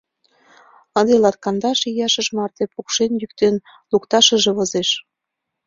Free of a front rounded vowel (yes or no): no